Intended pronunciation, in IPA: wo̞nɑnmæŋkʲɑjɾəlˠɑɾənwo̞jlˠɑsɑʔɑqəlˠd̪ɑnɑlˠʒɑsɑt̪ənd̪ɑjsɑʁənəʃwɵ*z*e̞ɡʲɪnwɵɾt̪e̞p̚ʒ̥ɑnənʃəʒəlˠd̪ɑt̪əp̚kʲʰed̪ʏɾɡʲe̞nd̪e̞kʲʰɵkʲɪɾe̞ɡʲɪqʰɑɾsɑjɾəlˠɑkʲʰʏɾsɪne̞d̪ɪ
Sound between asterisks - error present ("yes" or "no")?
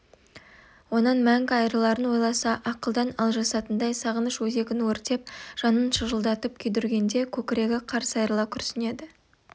no